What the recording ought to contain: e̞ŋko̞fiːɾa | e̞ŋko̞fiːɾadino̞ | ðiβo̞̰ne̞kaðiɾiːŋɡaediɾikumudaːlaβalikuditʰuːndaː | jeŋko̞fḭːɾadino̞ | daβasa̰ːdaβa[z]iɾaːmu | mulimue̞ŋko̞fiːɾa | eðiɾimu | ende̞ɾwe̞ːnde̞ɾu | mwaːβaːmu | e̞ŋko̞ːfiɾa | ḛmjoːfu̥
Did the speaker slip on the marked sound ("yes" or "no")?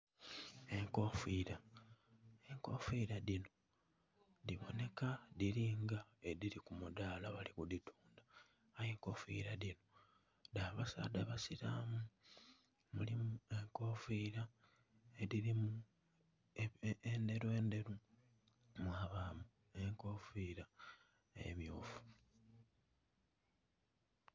yes